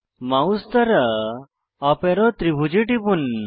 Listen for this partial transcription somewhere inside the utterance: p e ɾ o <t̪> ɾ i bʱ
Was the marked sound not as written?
no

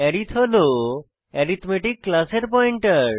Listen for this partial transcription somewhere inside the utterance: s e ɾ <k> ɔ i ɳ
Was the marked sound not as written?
yes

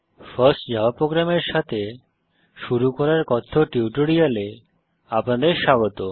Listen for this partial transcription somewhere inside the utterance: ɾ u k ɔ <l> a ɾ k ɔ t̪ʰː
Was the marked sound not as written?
yes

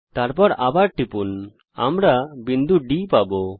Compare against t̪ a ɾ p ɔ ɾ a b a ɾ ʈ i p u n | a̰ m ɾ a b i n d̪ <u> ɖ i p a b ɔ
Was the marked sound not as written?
no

